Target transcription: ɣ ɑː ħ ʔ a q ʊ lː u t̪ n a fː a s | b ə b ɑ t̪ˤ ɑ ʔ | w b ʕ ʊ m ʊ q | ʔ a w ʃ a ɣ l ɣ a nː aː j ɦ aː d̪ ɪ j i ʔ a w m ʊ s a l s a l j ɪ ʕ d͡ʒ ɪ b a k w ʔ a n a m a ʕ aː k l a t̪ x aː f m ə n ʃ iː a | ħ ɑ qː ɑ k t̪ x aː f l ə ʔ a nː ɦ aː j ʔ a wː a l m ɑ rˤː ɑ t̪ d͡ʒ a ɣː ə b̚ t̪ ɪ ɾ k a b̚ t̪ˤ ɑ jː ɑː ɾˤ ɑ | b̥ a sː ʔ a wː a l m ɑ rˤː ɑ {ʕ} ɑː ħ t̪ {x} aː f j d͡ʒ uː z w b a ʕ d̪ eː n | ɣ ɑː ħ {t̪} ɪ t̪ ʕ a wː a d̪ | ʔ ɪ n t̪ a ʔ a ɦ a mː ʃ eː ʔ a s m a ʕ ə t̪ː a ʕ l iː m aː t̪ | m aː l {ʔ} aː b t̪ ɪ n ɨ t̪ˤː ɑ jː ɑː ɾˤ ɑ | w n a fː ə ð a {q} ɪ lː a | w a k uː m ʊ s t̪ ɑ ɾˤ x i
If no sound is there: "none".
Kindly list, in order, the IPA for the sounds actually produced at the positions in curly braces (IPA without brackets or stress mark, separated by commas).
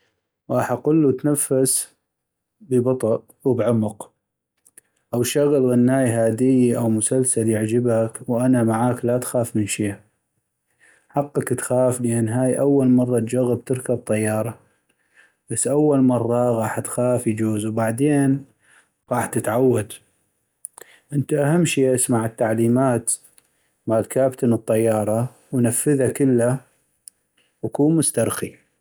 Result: ɣ, x, t̪, k, k